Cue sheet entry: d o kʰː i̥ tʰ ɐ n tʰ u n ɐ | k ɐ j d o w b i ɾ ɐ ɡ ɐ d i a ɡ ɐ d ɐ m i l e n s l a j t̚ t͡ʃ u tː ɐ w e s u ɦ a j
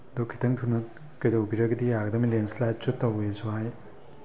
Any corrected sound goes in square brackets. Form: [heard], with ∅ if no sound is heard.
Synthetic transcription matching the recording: d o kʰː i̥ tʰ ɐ [ŋ] tʰ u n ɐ | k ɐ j d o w b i ɾ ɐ ɡ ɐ d i a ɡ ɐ d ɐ m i l e n s l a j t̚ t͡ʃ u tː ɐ w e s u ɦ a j